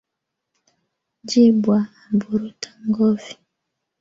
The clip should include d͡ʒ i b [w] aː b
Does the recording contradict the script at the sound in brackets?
no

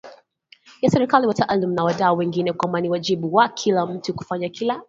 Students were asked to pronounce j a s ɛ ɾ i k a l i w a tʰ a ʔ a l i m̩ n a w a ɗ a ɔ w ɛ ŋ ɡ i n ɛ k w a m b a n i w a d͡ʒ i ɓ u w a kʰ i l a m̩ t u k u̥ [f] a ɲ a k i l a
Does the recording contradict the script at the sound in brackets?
no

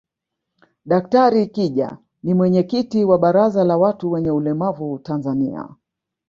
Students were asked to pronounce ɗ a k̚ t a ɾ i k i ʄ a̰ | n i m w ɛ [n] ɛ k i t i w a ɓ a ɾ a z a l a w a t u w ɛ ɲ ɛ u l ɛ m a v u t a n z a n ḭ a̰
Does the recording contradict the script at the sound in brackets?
yes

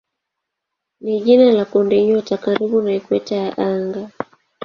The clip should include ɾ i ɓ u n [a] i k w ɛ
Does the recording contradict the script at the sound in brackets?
no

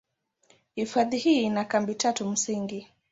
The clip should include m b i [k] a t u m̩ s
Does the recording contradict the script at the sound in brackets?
yes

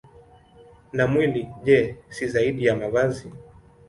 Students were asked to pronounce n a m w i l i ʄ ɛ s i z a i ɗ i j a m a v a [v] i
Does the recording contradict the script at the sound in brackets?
yes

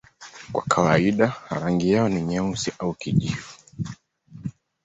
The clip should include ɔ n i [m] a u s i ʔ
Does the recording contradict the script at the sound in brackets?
yes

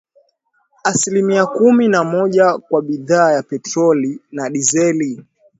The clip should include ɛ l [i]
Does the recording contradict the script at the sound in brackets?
no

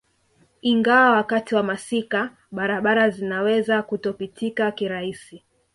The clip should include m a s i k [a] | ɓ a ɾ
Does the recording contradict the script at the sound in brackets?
no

